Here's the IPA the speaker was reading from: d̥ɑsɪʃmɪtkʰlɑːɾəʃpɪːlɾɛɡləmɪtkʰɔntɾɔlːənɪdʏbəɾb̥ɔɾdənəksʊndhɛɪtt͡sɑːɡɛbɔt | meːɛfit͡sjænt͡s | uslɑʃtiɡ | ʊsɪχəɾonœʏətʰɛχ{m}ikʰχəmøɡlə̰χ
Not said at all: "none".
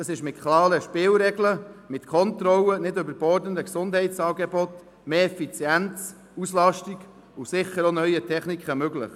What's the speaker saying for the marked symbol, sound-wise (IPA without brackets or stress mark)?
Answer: n